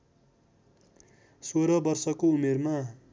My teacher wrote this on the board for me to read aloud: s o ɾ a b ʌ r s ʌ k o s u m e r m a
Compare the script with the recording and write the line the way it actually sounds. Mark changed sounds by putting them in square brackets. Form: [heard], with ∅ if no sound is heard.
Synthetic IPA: s o ɾ [ʌ] b ʌ r s ʌ k o [∅] u m e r m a